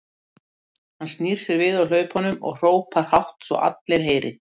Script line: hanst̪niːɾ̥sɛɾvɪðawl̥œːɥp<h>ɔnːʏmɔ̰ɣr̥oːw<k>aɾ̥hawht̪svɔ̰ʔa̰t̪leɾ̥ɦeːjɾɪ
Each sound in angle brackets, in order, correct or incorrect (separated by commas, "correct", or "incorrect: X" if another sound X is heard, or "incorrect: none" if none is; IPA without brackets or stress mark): correct, incorrect: p